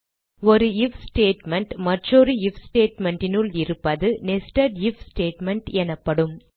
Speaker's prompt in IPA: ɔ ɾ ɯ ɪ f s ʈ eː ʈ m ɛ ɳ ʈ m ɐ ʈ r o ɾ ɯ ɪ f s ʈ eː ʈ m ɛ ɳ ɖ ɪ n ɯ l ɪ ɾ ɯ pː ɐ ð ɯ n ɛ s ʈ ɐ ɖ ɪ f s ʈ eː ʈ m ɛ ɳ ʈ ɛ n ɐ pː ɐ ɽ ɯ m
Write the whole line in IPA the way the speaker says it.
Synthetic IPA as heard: ɔ ɾ ɯ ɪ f s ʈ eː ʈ m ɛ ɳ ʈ m ɐ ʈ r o ɾ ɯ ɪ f s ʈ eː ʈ m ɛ ɳ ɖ ɪ n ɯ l ɪ ɾ ɯ pː ɐ ð ɯ n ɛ s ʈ ɐ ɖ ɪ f s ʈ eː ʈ m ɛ ɳ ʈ ɛ n ɐ pː ɐ ɽ ɯ m